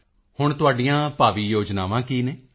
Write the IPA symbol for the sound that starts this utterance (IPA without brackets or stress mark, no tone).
h